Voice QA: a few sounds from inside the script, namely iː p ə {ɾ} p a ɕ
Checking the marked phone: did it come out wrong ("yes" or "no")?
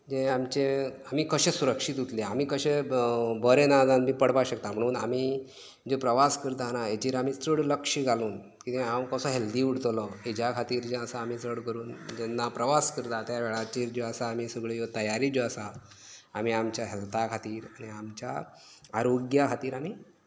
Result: yes